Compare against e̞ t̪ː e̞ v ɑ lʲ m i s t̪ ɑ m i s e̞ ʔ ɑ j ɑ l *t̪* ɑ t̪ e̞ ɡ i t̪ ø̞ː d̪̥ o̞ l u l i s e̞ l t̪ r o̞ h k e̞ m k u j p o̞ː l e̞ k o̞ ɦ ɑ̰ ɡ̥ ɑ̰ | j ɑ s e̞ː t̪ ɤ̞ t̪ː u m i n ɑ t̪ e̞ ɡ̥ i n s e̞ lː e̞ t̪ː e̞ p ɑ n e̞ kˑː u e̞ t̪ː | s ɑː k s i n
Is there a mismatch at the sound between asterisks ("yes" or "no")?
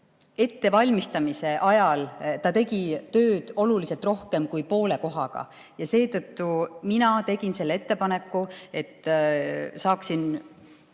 no